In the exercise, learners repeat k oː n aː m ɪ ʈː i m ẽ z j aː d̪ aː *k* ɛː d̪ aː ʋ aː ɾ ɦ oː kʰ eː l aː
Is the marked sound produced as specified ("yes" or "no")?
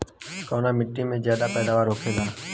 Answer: no